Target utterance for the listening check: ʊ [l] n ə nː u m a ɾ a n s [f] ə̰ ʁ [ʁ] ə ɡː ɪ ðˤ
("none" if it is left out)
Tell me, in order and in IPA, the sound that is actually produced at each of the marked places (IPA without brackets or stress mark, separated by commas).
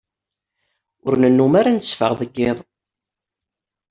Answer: ɾ, f, ð